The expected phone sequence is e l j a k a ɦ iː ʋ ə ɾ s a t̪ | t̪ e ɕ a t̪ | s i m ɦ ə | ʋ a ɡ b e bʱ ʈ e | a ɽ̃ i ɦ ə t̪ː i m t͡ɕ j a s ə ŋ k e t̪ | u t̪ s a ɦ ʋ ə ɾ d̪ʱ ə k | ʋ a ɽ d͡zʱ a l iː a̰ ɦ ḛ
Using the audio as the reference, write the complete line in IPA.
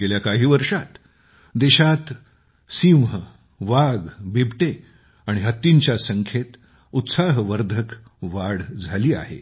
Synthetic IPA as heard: e l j a k a ɦ iː ʋ ə ɾ ʂ a t̪ | d̪ e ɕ a t̪ | s i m ɦ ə | ʋ a ɡ b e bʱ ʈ e | a ɽ̃ i ɦ ə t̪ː i ɲ t͡ɕ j a s ə ŋ kʰ e t̪ | u t̪ s a ɦ ʋ ə ɾ d̪ʱ ə k | ʋ a ɽ d͡zʱ a l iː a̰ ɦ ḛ